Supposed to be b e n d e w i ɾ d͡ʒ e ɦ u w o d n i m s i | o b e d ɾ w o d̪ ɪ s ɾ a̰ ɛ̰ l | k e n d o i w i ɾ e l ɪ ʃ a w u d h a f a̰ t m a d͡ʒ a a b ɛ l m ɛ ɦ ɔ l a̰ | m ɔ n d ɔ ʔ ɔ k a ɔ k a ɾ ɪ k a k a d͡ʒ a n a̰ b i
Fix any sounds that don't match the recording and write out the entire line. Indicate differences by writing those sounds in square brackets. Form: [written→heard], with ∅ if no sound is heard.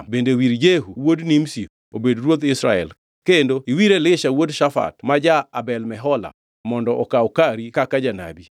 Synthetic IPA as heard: b e n d e w i ɾ d͡ʒ e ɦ u w o d n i m s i | o b e d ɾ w o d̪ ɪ s ɾ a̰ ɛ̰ l | k e n d o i w i ɾ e l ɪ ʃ a w [u→o] d [h→ʃ] a f a̰ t m a d͡ʒ a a b ɛ l m ɛ ɦ ɔ l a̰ | m ɔ n d ɔ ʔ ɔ k a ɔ k a ɾ [ɪ→i] k a k a d͡ʒ a n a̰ b i